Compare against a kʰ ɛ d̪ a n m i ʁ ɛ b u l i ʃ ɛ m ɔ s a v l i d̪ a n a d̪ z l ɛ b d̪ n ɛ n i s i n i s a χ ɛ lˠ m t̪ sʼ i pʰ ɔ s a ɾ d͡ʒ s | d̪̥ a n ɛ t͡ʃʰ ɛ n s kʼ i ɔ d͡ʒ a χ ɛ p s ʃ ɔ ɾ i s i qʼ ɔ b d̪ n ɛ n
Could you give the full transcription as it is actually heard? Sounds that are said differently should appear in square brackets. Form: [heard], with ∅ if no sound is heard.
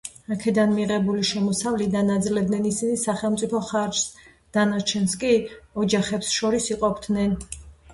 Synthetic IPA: a kʰ ɛ d̪ a n m i ʁ ɛ b u l i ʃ ɛ m ɔ s a v l i d̪ a n a d̪ z l ɛ b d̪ n ɛ n i s i n i s a χ ɛ lˠ m t̪ sʼ i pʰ ɔ [χ] a ɾ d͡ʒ s | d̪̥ a n [a] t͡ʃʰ ɛ n s kʼ i ɔ d͡ʒ a χ ɛ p s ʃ ɔ ɾ i s i qʼ ɔ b d̪ n ɛ n